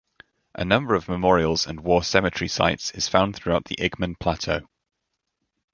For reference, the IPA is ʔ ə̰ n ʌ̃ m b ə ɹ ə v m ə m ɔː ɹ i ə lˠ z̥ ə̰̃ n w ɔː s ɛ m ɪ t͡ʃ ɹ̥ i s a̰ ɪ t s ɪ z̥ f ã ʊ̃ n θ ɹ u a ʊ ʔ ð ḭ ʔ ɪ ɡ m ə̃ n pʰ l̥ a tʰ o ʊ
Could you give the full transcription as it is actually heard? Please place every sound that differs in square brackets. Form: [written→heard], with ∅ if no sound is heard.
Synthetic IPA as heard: ʔ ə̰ n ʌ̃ m b ə ɹ ə v m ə m ɔː ɹ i ə lˠ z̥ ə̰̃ n w ɔː s ɛ m ɪ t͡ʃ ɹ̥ i s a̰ ɪ t s ɪ z̥ f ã ʊ̃ n θ ɹ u a ʊ ʔ ð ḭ ʔ ɪ ɡ m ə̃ n pʰ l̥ a tʰ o ʊ